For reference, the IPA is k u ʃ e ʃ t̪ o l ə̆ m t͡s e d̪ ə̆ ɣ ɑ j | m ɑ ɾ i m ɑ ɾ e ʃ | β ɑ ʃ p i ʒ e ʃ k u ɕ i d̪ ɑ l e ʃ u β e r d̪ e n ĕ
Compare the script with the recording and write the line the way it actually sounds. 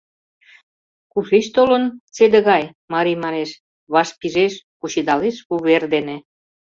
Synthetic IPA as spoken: k u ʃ e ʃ t̪ o l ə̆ n t͡s e d̪ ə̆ ɣ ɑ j | m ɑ ɾ i m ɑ ɾ e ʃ | β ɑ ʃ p i ʒ e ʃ k u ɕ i d̪ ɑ l e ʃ u β e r d̪ e n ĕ